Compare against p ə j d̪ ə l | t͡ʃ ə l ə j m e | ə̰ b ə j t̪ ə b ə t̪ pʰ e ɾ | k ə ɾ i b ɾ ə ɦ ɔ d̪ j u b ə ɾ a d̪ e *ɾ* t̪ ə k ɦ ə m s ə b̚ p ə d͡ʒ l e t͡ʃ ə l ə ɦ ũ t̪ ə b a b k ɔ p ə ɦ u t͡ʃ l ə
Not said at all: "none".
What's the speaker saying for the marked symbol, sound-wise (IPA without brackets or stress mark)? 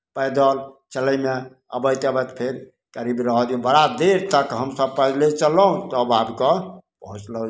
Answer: ɾ